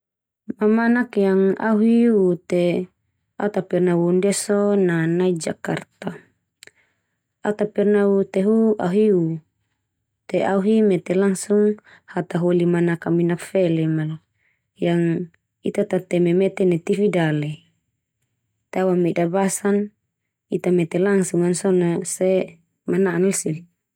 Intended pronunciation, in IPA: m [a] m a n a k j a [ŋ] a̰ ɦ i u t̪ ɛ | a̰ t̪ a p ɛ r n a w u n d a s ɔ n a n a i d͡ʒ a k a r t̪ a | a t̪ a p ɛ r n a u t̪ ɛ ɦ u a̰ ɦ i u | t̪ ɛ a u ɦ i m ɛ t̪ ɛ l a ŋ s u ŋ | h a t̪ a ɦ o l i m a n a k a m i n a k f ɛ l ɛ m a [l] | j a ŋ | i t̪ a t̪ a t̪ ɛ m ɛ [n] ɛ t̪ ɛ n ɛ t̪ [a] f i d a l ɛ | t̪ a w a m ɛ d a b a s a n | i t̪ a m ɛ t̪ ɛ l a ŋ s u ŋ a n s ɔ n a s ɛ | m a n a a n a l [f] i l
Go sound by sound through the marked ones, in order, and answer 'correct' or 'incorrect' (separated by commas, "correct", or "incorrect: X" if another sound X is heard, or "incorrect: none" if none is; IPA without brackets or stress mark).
correct, correct, correct, incorrect: m, incorrect: i, incorrect: s